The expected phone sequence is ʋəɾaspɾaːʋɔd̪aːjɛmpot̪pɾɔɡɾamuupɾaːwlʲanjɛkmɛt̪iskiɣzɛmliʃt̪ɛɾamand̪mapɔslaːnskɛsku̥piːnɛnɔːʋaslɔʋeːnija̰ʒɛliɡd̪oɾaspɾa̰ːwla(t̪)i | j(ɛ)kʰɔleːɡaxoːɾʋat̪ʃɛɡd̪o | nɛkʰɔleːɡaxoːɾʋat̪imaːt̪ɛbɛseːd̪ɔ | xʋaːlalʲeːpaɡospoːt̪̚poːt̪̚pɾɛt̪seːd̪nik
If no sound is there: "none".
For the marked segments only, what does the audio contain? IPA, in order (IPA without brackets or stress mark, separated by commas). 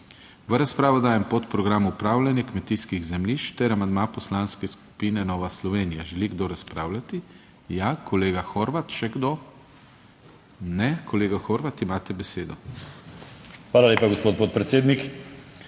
t̪, a